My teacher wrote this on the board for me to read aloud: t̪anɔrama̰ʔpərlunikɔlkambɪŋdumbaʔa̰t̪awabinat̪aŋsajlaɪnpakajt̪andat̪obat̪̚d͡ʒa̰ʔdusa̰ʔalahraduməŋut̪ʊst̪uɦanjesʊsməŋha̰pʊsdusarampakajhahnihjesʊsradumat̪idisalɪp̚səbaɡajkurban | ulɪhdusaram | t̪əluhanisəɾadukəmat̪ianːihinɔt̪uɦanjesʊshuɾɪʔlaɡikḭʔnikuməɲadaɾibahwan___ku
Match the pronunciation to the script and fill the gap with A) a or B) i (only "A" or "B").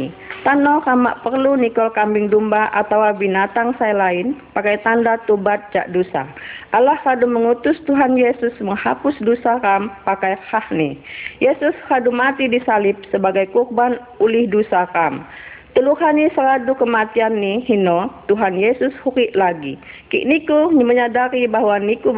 B